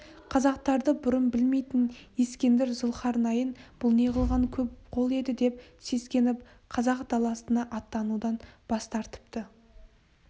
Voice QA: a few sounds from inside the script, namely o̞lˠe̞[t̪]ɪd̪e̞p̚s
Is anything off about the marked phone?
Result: yes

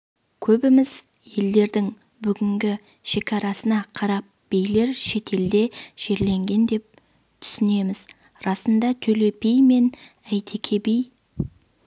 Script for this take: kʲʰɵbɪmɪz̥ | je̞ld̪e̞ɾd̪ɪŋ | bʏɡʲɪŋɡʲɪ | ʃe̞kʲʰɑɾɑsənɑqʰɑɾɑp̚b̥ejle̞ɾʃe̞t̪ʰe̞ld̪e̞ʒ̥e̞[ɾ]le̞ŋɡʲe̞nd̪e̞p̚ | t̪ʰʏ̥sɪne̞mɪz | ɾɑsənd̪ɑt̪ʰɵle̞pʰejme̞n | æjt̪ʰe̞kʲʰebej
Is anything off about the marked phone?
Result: no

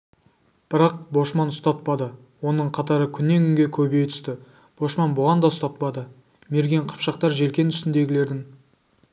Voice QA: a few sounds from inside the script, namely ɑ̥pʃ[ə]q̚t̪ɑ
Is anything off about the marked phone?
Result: yes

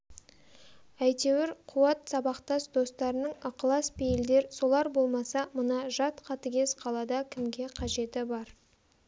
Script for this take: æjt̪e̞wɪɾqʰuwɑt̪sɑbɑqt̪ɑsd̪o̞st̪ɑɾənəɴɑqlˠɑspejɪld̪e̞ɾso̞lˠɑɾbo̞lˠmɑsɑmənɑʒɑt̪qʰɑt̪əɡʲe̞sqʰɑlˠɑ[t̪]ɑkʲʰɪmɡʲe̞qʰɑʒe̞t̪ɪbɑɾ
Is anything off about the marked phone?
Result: yes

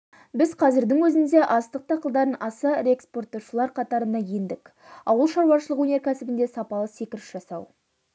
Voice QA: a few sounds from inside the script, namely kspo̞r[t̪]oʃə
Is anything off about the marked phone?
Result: no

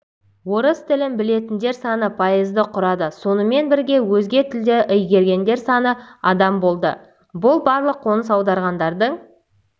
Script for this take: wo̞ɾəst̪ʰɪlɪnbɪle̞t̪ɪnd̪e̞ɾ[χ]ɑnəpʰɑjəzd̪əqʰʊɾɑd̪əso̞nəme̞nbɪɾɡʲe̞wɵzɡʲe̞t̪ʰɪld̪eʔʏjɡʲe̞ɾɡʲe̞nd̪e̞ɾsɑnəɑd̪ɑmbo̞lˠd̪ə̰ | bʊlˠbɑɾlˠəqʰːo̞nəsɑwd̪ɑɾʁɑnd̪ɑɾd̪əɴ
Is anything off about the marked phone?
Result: yes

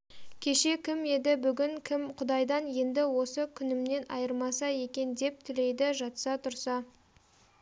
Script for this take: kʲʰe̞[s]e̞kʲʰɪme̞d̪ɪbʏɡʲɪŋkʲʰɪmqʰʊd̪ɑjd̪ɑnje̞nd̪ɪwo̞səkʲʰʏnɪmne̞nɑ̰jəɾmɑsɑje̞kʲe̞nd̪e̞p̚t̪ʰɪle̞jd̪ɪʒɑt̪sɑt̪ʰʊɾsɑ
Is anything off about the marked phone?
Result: yes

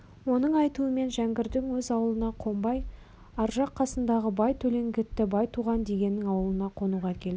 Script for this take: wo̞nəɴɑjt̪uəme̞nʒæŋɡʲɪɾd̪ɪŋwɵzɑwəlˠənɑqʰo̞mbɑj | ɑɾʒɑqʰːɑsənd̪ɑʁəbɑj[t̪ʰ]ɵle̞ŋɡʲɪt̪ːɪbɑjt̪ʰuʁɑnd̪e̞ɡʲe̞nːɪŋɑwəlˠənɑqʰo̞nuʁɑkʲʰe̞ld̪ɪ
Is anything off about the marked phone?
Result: no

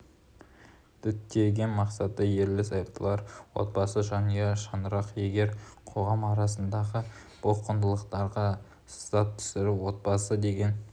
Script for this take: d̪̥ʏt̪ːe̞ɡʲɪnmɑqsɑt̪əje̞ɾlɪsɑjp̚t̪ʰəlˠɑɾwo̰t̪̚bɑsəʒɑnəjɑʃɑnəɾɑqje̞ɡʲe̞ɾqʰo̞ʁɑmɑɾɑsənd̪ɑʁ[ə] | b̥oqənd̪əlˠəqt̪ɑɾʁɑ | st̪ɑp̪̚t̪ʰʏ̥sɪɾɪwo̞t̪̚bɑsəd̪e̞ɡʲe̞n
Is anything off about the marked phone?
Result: no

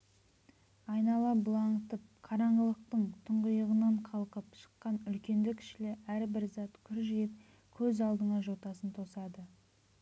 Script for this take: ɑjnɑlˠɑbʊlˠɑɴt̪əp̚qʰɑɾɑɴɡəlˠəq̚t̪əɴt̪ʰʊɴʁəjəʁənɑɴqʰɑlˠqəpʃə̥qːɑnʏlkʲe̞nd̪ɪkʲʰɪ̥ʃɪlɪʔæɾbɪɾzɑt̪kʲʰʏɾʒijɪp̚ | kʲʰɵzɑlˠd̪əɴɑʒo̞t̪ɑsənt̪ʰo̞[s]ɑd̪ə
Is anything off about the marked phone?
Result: no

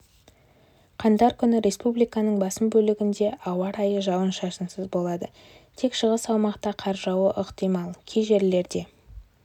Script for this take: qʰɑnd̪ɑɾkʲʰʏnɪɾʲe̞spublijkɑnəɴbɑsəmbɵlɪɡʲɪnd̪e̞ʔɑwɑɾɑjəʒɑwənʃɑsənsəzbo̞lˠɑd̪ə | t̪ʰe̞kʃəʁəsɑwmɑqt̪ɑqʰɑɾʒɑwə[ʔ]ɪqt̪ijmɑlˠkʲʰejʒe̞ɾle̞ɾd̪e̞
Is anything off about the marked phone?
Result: no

